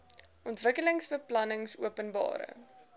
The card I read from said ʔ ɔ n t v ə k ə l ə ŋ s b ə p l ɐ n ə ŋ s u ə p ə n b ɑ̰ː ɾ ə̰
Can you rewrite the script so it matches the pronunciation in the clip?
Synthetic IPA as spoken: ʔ ɔ n t v ə k ə l ə ŋ s b ə p l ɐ n ə ŋ s u ə p ə n b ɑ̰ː ɾ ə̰